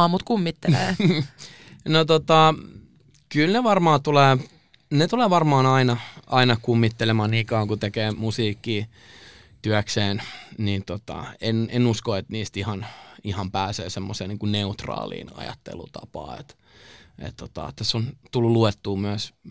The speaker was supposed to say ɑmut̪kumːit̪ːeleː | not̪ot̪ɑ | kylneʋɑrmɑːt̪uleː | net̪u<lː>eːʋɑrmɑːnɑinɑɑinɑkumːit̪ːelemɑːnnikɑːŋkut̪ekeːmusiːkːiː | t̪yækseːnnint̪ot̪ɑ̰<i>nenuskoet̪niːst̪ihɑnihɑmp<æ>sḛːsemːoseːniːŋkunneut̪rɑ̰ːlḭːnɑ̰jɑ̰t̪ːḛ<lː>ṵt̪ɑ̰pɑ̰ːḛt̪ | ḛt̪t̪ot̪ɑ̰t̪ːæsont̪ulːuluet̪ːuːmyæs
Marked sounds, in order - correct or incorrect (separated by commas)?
incorrect, incorrect, incorrect, incorrect